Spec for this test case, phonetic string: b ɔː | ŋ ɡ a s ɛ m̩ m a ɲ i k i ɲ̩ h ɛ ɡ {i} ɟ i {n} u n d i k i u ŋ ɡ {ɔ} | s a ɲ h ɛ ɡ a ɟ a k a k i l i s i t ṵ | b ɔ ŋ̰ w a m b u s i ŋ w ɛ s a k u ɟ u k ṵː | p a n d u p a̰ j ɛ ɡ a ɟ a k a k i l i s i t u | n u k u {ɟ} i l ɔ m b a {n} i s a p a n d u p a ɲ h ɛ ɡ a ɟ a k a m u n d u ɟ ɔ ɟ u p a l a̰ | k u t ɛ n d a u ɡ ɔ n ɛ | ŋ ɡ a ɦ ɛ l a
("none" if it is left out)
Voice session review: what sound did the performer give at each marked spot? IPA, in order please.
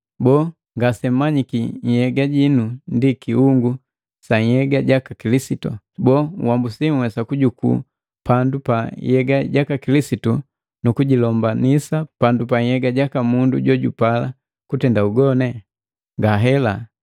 a, n, u, ɟ, n

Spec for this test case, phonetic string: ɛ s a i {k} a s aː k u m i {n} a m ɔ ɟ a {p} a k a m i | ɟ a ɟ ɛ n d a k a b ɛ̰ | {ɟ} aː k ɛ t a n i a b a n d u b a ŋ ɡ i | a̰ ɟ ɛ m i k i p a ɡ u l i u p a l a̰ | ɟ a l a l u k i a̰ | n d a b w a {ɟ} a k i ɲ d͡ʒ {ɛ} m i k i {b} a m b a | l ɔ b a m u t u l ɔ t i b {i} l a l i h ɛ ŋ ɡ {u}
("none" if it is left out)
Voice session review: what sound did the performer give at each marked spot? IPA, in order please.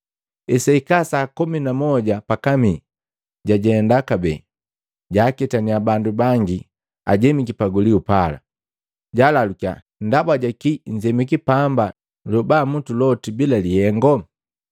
k, n, p, ɟ, ɟ, ɛ, p, i, ɔ

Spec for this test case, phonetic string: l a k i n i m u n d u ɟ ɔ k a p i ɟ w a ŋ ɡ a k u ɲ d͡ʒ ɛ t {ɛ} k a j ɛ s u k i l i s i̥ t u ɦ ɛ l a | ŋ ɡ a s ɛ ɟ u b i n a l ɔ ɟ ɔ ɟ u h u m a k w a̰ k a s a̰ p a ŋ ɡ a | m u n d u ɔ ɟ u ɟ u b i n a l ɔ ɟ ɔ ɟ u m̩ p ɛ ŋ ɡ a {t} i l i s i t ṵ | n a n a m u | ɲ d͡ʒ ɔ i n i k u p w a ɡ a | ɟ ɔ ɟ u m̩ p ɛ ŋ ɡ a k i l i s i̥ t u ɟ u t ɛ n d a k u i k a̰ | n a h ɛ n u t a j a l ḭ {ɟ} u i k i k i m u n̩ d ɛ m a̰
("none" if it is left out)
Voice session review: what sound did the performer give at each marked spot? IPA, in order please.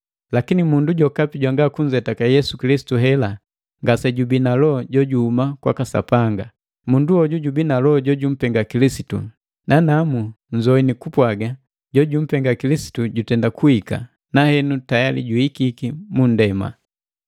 a, k, ɟ

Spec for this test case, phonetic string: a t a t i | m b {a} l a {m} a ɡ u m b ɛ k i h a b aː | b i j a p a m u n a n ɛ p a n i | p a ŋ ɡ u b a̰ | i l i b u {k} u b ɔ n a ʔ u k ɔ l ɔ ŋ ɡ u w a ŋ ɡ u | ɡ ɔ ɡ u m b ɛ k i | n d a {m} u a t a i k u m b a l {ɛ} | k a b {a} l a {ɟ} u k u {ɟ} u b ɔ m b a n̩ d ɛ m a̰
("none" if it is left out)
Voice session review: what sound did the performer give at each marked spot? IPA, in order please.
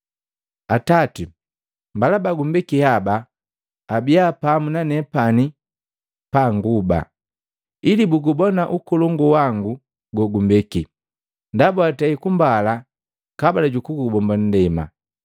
a, b, ɡ, b, a, a, ɟ, ɡ

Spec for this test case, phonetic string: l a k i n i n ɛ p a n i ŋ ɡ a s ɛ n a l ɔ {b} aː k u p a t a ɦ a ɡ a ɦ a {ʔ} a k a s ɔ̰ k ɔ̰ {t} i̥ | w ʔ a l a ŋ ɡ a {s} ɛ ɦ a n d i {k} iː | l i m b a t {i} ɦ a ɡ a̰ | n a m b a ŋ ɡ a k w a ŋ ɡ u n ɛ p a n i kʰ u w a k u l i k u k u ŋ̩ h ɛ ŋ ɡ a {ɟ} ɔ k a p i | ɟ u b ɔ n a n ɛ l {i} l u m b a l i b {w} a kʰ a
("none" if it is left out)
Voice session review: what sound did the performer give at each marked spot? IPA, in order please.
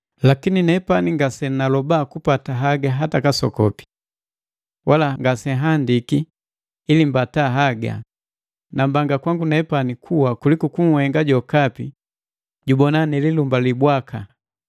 b, t, p, s, k, a, ɟ, i, w

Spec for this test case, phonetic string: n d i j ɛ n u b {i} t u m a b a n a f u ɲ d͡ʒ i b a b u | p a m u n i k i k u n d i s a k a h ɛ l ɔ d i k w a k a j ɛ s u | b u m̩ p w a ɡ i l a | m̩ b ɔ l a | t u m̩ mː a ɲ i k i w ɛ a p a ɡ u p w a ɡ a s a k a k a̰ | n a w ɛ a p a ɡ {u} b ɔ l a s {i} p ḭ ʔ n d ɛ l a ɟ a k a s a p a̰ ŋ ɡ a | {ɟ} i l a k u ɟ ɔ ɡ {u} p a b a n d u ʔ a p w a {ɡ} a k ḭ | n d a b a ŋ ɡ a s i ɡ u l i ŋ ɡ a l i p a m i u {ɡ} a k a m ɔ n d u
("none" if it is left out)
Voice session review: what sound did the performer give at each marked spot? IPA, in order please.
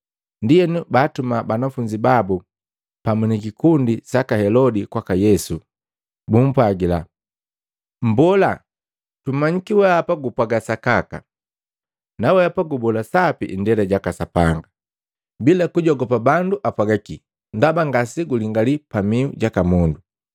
a, u, a, b, ɔ, ɡ, ɟ

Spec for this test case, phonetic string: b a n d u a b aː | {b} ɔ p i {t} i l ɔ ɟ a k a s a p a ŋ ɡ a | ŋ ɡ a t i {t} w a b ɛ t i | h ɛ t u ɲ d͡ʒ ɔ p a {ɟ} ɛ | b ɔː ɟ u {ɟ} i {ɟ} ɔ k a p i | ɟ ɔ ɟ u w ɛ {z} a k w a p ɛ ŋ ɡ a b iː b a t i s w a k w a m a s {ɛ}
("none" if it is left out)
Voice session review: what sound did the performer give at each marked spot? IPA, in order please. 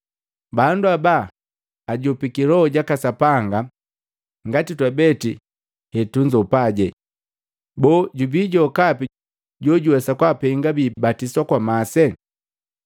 ɟ, k, t, ɟ, b, ɟ, s, ɛ

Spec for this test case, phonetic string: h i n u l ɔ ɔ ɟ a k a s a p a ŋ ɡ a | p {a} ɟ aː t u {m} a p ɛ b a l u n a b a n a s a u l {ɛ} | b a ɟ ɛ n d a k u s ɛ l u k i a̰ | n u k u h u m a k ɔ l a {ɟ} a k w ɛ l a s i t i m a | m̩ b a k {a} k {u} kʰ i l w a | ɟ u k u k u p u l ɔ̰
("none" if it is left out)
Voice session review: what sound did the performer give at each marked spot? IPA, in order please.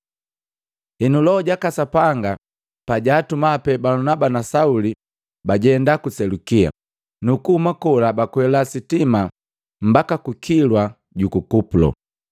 a, m, i, b, a, u

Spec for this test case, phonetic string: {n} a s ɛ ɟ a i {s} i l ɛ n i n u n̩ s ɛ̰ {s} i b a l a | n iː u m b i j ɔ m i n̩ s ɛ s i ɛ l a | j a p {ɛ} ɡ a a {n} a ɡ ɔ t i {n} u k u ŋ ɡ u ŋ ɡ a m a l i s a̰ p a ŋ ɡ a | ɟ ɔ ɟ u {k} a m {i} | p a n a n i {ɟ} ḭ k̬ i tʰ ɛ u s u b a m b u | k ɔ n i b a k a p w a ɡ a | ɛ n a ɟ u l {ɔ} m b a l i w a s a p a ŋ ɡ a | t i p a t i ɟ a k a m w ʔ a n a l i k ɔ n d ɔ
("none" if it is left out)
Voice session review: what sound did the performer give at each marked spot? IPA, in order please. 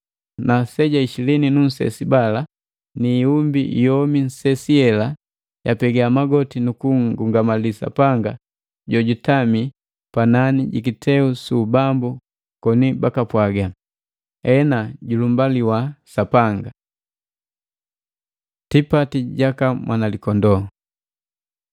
n, ʃ, s, ɛ, m, n, t, i, ɟ, u

